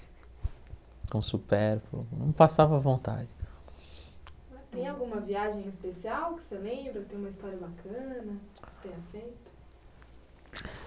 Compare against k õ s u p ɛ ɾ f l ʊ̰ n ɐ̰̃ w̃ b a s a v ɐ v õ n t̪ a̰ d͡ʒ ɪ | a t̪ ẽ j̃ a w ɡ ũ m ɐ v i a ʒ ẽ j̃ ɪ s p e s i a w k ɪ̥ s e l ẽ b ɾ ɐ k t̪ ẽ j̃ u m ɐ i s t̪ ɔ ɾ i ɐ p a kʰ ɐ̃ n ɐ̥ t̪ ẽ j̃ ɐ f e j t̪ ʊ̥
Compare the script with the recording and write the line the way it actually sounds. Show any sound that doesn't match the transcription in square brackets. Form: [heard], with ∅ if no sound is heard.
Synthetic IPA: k õ s u p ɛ ɾ f l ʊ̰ n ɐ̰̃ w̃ [p] a s a v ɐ v õ n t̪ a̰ d͡ʒ ɪ | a t̪ ẽ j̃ a w ɡ ũ m ɐ v i a ʒ ẽ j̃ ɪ s p e s i a w k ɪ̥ s e l ẽ b ɾ ɐ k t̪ ẽ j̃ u m ɐ i s t̪ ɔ ɾ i ɐ [b] a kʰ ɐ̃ n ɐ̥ t̪ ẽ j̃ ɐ f e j t̪ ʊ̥